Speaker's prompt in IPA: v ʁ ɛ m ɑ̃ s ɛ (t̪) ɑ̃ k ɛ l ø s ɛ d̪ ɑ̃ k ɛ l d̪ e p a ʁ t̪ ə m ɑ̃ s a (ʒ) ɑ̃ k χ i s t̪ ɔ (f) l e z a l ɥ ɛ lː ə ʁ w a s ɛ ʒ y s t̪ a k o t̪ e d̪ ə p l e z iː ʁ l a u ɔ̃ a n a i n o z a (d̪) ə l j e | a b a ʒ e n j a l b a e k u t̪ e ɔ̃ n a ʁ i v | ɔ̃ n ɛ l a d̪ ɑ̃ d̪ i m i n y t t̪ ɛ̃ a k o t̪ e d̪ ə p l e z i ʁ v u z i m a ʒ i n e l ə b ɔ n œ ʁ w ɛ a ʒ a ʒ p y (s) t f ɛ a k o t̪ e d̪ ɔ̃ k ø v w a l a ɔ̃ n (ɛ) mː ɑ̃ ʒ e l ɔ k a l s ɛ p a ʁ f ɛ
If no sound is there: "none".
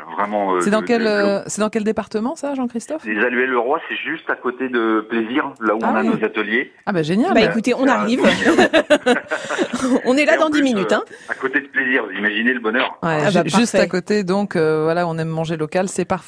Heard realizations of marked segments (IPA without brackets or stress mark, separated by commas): d̪, ʒ, f, t̪, s, ɛ